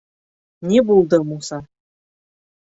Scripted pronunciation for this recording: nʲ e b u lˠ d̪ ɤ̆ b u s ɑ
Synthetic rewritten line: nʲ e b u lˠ d̪ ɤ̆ m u s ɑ

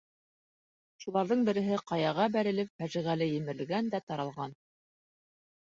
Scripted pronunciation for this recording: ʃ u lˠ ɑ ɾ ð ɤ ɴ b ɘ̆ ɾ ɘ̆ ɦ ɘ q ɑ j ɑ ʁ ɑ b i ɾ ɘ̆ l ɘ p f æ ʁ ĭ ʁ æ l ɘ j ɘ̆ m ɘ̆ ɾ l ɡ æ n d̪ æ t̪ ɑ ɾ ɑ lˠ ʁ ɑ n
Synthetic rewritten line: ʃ u lˠ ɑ ɾ ð ɤ ɴ b ɘ̆ ɾ ɘ̆ ɦ ɘ q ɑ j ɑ ʁ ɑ b æ ɾ ɘ̆ l ɘ p f æ ʒ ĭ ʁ æ l ɘ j ɘ̆ m ɘ̆ ɾ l ɡ æ n d̪ æ t̪ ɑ ɾ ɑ lˠ ʁ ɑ n

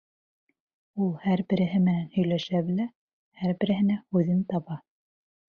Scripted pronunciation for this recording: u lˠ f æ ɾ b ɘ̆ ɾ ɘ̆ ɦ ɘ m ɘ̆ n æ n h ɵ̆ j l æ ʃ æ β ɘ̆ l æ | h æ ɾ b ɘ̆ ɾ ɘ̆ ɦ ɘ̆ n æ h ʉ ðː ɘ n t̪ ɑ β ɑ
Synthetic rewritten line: u lˠ h æ ɾ b ɘ̆ ɾ ɘ̆ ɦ ɘ m ɘ̆ n æ n h ɵ̆ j l æ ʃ æ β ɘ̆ l æ | h æ ɾ b ɘ̆ ɾ ɘ̆ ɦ ɘ̆ n æ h ʉ ð ɘ n t̪ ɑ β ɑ

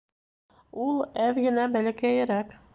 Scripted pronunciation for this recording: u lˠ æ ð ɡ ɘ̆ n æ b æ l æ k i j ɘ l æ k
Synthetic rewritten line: u lˠ æ ð ɡ ɘ̆ n æ b æ l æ k æ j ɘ ɾ æ k

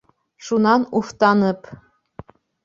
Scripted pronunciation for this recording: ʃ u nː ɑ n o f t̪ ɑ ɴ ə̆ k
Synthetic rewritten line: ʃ u n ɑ n u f t̪ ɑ n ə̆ p

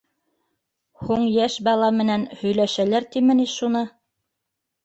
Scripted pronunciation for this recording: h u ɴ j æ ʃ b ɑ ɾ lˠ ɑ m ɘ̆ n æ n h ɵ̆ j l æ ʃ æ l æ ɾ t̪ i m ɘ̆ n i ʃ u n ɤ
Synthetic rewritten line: h u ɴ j æ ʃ b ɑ lˠ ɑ m ɘ̆ n æ n h ɵ̆ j l æ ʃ æ l æ ɾ t̪ i m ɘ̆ n i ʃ u n ɤ

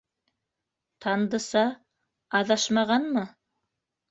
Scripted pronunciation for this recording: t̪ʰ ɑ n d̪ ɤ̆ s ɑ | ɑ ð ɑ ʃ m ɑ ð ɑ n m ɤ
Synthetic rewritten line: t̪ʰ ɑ n d̪ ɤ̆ s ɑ | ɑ ð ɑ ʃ m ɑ ʁ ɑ n m ɤ

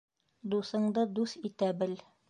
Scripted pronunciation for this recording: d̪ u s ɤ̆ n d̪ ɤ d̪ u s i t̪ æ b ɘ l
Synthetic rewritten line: d̪ u s ɤ̆ ɴ d̪ ɤ d̪ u s i t̪ æ b ɘ l

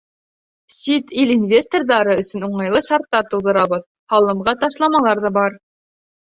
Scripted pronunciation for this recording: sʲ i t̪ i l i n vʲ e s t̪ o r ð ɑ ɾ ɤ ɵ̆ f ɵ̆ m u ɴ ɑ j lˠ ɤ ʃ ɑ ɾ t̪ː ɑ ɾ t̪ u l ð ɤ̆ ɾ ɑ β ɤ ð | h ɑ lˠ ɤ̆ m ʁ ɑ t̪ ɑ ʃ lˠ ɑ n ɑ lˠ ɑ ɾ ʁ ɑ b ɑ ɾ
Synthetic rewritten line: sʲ i t̪ i l i n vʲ e s t̪ o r ð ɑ ɾ ɤ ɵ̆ s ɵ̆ n u ɴ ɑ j lˠ ɤ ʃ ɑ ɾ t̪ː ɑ ɾ t̪ u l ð ɤ̆ ɾ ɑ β ɤ ð | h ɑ lˠ ɤ̆ m ʁ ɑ t̪ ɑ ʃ lˠ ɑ m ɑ lˠ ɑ ɾ ð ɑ b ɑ ɾ

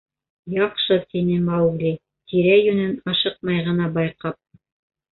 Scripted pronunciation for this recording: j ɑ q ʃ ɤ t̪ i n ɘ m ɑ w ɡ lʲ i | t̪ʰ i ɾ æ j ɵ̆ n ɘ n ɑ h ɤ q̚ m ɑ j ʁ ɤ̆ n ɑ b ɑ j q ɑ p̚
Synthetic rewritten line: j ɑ q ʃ ɤ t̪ i n ɘ m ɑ w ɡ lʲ i | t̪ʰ i ɾ æ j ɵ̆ n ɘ n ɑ ʃ ɤ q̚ m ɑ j ʁ ɤ̆ n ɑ b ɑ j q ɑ p̚

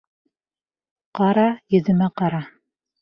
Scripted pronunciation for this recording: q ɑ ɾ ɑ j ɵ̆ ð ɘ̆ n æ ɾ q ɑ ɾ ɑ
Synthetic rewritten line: q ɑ ɾ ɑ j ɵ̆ ð ɘ̆ m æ q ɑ ɾ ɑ

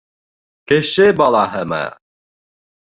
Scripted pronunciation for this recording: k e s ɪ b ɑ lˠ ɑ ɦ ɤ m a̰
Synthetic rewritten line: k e ʃ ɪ b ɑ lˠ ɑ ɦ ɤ m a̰

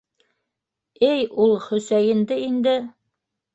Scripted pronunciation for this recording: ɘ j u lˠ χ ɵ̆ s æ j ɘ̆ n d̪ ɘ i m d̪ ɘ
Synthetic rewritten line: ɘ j u lˠ χ ɵ̆ s æ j ɘ̆ n d̪ ɘ i n d̪ ɘ

